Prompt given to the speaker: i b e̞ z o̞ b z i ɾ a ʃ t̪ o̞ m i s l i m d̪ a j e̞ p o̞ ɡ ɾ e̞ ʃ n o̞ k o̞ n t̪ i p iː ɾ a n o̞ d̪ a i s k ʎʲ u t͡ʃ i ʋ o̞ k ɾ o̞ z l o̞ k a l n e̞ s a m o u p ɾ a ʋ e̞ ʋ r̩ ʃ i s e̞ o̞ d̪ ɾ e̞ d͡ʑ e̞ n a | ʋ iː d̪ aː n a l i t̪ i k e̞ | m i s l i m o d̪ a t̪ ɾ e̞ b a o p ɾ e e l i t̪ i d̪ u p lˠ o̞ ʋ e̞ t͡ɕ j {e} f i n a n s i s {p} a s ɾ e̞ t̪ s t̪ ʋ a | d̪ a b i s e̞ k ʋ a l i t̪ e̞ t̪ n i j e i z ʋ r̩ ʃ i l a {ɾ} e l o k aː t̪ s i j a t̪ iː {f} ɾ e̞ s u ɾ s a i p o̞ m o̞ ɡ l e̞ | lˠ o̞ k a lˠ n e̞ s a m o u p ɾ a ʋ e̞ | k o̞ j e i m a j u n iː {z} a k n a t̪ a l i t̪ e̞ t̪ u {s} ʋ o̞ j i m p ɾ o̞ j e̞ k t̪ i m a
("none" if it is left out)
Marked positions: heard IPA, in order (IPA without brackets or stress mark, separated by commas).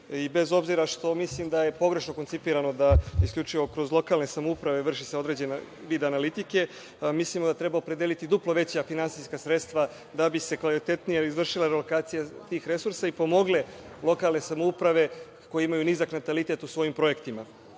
a, k, ɾ, x, z, s